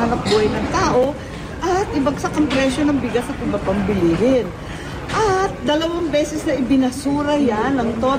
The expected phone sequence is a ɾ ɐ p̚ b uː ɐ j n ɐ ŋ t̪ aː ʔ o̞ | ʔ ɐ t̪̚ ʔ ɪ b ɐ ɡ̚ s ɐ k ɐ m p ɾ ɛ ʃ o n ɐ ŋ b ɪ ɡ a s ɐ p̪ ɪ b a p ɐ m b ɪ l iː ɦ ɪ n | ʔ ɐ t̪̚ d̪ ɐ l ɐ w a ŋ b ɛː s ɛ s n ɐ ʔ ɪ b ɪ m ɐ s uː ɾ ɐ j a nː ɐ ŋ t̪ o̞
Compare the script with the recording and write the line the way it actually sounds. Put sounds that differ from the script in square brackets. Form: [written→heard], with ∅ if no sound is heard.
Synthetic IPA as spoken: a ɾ ɐ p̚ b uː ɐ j n ɐ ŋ t̪ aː ʔ o̞ | ʔ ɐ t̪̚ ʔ ɪ b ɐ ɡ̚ s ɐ k ɐ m p ɾ ɛ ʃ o n ɐ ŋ b ɪ ɡ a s ɐ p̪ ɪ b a p ɐ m b ɪ l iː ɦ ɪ n | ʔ ɐ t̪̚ d̪ ɐ l ɐ w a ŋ b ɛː s ɛ s n ɐ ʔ ɪ b ɪ [m→n] ɐ s uː ɾ ɐ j a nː ɐ ŋ t̪ o̞